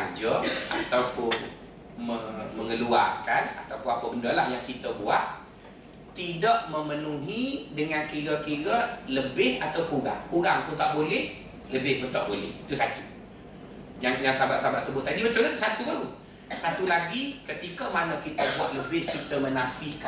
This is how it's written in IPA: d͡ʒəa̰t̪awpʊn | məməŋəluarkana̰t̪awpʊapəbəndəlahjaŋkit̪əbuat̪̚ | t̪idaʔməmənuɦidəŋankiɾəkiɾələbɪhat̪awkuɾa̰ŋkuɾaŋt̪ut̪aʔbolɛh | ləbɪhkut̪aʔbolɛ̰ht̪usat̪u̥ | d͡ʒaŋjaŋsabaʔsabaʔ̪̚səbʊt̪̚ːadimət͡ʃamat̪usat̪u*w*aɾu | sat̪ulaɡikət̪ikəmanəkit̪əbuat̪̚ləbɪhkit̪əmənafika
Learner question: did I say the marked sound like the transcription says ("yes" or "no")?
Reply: no